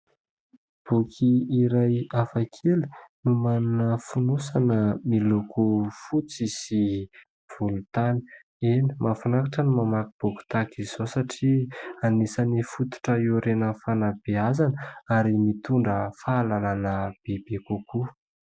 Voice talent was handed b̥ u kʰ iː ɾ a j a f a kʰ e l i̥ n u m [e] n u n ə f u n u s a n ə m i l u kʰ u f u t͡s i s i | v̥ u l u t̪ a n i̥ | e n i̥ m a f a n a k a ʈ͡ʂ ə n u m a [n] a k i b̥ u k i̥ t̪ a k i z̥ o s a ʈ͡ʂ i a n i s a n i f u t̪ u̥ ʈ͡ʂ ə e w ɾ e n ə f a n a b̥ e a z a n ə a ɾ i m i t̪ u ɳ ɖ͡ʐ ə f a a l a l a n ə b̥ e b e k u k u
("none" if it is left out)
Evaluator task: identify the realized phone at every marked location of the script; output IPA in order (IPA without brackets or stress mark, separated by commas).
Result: a, m